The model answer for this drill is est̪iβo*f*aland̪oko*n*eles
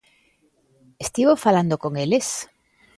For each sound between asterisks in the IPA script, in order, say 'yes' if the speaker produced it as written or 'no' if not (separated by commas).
yes, no